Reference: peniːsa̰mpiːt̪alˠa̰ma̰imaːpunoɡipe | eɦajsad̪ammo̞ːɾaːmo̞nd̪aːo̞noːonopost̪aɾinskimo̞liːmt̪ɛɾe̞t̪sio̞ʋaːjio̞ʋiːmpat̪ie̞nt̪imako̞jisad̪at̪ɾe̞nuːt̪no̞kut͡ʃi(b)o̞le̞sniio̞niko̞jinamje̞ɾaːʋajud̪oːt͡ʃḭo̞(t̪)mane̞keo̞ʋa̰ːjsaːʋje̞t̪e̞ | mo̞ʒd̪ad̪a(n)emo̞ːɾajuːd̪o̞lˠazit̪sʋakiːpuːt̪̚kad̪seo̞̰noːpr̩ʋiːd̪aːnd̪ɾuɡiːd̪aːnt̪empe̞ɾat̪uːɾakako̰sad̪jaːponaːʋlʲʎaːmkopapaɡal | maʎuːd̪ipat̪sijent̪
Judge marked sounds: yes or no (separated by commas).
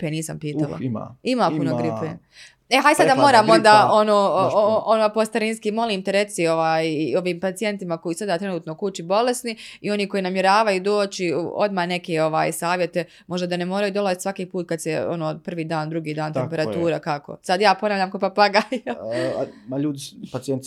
yes, no, yes